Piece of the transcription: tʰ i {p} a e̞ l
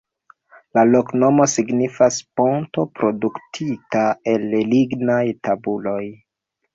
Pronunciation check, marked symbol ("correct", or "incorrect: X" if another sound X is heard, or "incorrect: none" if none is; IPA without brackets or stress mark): incorrect: t